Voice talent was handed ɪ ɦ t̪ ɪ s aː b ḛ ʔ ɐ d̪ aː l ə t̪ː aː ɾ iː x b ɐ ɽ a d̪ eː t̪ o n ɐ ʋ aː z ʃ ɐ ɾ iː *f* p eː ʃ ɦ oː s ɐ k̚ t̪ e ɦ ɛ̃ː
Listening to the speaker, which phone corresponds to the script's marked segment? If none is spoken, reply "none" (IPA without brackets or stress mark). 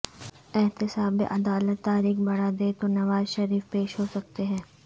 f